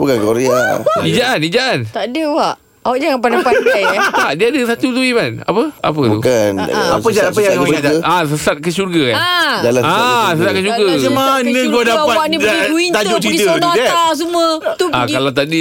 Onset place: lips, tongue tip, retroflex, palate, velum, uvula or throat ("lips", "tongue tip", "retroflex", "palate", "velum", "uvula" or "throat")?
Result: lips